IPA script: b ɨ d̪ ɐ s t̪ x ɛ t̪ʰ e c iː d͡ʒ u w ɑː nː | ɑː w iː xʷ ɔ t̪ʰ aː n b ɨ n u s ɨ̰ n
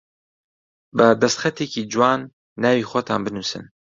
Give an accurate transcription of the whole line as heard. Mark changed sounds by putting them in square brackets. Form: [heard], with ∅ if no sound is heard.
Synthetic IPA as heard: b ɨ d̪ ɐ s t̪ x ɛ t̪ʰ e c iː d͡ʒ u w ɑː nː | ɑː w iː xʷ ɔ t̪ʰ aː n b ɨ n u s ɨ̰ n